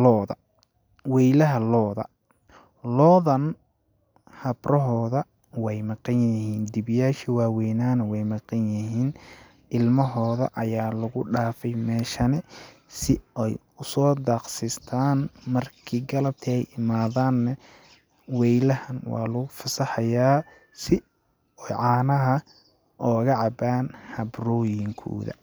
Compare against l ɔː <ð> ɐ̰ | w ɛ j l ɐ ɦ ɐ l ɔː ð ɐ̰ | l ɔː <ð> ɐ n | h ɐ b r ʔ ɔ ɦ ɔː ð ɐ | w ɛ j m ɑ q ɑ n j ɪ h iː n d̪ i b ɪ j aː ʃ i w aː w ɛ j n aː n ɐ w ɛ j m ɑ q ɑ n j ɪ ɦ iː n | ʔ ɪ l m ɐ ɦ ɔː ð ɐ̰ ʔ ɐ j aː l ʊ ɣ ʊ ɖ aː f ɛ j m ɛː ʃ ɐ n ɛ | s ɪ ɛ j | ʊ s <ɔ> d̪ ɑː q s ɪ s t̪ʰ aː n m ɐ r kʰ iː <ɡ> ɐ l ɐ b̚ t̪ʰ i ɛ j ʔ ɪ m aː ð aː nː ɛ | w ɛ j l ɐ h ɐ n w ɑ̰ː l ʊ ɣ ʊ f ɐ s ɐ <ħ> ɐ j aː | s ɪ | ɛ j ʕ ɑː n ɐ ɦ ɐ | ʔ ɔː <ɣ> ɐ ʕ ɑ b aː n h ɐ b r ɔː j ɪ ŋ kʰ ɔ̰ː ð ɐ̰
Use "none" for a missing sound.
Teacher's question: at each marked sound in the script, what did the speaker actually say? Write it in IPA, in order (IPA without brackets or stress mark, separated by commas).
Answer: ð, ð, ɔː, ɡ, ħ, ɣ